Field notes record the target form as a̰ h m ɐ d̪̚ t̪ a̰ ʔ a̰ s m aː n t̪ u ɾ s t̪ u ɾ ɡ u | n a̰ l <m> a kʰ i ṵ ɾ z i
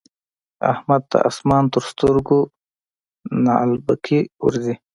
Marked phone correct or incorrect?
incorrect